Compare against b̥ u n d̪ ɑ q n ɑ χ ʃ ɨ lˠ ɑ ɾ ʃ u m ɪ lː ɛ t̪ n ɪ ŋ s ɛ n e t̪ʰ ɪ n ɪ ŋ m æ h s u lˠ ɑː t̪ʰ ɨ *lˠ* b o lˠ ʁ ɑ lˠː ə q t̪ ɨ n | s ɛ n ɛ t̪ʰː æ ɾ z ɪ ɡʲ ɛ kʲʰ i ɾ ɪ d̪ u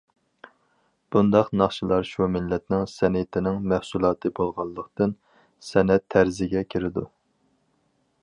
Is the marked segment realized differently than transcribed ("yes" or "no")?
yes